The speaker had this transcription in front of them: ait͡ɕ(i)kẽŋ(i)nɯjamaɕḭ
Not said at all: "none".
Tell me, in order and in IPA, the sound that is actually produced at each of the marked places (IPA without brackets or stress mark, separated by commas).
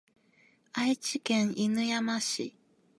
i, i